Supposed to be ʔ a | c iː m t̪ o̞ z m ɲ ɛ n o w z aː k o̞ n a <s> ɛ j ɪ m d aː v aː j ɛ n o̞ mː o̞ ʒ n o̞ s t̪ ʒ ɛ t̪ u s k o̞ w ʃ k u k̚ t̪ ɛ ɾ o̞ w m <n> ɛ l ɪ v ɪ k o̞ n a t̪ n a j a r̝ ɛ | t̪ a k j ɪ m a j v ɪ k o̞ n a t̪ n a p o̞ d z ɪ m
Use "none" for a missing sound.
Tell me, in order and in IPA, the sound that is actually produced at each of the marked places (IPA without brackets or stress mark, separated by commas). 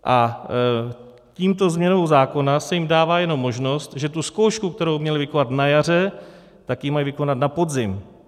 s, ɲ